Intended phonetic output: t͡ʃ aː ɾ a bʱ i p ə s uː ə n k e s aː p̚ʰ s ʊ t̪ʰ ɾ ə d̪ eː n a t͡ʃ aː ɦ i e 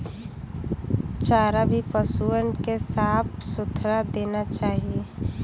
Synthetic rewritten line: t͡ʃ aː ɾ a bʱ i p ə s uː ə n k e s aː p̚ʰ s ʊ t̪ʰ ɾ a d̪ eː n a t͡ʃ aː ɦ i e